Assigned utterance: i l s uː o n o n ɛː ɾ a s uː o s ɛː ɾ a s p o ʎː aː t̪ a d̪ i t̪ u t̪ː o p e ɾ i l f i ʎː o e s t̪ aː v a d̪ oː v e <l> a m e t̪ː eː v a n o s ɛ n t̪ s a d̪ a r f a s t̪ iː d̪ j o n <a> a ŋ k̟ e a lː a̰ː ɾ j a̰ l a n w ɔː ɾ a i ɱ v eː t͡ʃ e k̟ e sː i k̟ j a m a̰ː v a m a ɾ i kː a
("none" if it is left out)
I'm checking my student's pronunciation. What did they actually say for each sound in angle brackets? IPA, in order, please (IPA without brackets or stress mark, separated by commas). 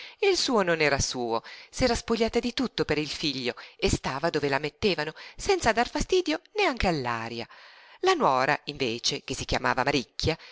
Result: l, e